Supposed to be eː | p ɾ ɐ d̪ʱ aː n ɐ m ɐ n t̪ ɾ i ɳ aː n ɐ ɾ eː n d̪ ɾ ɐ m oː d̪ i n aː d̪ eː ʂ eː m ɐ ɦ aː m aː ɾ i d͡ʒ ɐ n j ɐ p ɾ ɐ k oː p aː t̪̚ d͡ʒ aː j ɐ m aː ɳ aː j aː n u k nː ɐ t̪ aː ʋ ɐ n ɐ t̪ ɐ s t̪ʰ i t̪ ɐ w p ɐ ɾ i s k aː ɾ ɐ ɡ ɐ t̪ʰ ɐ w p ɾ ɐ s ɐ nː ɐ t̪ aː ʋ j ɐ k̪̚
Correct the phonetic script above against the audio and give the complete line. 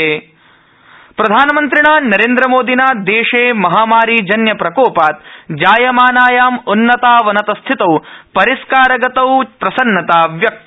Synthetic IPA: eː | p ɾ ɐ d̪ʱ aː n ɐ m ɐ n t̪ ɾ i ɳ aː n ɐ ɾ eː n d̪ ɾ ɐ m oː d̪ i n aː d̪ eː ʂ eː m ɐ ɦ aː m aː ɾ i d͡ʒ ɐ n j ɐ p ɾ ɐ k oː p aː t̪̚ d͡ʒ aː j ɐ m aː n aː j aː m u nː ɐ t̪ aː ʋ ɐ n ɐ t̪ ɐ s t̪ʰ i t̪ ɐ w p ɐ ɾ i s k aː ɾ ɐ ɡ ɐ t̪ ɐ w p ɾ ɐ s ɐ nː ɐ t̪ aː ʋ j ɐ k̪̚

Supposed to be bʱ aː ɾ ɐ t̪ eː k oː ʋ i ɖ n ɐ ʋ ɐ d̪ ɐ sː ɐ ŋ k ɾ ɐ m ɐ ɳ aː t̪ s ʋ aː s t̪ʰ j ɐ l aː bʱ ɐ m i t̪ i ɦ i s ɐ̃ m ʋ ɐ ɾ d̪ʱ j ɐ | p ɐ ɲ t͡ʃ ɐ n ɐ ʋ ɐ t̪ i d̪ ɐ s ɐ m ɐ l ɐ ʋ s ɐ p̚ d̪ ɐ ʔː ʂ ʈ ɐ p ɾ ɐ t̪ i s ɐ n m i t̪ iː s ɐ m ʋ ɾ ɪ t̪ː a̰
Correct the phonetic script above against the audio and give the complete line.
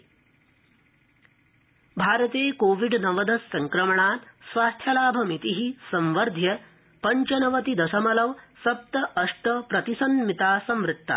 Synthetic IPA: bʱ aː ɾ ɐ t̪ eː k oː ʋ i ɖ n ɐ ʋ ɐ d̪ ɐ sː ɐ ŋ k ɾ ɐ m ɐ ɳ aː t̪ s ʋ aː s t̪ʰ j ɐ l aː bʱ ɐ m i t̪ i ɦ i s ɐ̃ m ʋ ɐ ɾ d̪ʱ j ɐ | p ɐ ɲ t͡ʃ ɐ n ɐ ʋ ɐ t̪ i d̪ ɐ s ɐ m ɐ l ɐ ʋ s ɐ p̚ t̪ ɐ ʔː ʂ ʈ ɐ p ɾ ɐ t̪ i s ɐ n m i t̪ aː s ɐ m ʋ ɾ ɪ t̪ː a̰

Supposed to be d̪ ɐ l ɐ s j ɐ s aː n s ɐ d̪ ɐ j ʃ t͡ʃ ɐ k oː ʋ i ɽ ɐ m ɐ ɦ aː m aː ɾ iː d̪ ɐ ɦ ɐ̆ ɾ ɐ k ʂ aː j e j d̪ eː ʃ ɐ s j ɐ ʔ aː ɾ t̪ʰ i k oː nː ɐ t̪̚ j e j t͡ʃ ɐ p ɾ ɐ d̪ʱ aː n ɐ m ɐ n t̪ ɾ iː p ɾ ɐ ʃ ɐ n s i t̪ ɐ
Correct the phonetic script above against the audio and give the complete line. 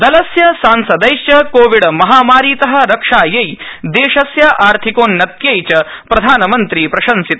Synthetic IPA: d̪ ɐ l ɐ s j ɐ s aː n s ɐ d̪ ɐ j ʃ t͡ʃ ɐ k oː ʋ i ɽ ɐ m ɐ ɦ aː m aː ɾ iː t̪ ɐ ɦ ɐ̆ ɾ ɐ k ʂ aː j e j d̪ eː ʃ ɐ s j ɐ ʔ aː ɾ t̪ʰ i k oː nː ɐ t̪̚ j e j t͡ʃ ɐ p ɾ ɐ d̪ʱ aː n ɐ m ɐ n t̪ ɾ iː p ɾ ɐ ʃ ɐ n s i t̪ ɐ

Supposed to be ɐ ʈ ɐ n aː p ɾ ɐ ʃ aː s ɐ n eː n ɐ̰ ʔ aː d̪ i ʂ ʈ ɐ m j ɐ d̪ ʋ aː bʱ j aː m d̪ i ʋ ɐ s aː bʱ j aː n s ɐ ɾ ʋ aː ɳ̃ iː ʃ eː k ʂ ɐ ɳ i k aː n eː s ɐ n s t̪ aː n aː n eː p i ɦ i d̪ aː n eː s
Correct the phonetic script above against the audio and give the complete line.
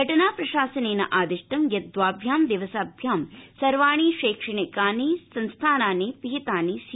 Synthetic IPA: ɐ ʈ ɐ n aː p ɾ ɐ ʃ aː s ɐ n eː n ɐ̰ ʔ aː d̪ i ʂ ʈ ɐ m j ɐ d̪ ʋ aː bʱ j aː m d̪ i ʋ ɐ s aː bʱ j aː m s ɐ ɾ ʋ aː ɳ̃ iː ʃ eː k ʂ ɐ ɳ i k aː n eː s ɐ n s t̪ʰ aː n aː n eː p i ɦ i t̪ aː n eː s

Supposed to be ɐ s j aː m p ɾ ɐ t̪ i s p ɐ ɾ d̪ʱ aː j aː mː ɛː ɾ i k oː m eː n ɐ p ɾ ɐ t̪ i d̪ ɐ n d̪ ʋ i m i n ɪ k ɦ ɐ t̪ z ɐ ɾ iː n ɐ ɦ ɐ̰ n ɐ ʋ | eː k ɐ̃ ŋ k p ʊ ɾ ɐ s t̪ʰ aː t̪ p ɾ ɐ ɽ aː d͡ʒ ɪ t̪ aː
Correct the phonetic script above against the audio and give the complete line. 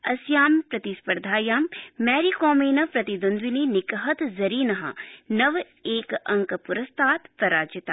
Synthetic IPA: ɐ s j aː m p ɾ ɐ t̪ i s p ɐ ɾ d̪ʱ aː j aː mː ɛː ɾ i k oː m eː n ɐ p ɾ ɐ t̪ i d̪ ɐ n d̪ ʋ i n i n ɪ k ɦ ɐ t̪ z ɐ ɾ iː n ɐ ɦ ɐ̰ n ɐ ʋ | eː k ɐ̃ ŋ k p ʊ ɾ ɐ s t̪ʰ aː t̪ p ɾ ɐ ɾ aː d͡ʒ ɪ t̪ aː

